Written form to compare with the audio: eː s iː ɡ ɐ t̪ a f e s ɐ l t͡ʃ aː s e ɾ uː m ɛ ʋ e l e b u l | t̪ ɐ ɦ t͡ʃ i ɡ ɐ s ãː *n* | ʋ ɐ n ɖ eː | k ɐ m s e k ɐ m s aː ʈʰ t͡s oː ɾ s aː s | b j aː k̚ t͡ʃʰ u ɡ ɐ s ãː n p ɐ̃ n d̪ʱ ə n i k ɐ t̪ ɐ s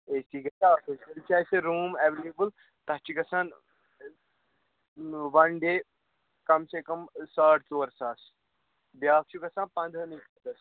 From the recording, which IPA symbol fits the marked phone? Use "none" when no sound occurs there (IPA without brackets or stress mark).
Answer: n